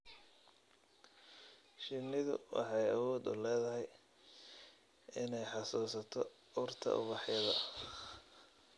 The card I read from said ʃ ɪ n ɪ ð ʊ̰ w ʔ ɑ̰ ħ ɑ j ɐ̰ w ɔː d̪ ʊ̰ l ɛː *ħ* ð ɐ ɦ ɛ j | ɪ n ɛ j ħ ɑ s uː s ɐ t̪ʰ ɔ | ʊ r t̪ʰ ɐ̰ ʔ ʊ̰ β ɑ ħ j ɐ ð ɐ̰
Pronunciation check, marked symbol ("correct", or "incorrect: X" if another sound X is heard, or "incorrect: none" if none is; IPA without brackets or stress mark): incorrect: none